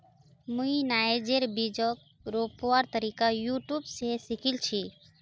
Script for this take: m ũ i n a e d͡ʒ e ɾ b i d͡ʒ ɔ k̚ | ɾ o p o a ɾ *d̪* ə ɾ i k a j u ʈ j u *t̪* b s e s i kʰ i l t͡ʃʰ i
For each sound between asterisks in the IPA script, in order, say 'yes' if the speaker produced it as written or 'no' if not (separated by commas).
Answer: no, no